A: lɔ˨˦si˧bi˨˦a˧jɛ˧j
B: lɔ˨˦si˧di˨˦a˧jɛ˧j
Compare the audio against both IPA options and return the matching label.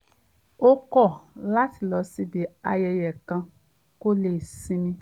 A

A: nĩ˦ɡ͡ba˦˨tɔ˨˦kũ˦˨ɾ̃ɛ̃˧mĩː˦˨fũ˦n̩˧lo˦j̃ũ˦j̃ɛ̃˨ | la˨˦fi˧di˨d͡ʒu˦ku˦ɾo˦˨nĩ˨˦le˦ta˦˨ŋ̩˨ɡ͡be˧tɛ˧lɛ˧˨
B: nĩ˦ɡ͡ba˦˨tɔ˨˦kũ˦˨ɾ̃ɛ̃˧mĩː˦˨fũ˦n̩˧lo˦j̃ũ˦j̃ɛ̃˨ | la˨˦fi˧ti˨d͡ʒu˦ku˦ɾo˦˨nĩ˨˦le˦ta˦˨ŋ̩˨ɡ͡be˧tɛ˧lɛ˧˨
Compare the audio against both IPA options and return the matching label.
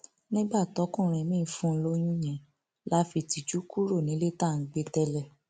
B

